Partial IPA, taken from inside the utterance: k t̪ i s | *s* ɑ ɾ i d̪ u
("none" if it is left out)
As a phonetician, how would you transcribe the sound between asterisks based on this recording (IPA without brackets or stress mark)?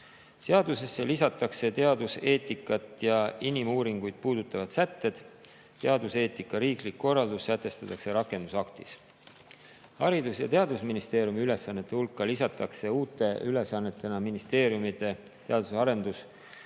h